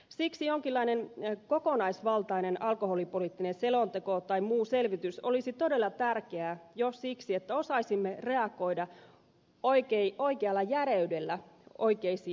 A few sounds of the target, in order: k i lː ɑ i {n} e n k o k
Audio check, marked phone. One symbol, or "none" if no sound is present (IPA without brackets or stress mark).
n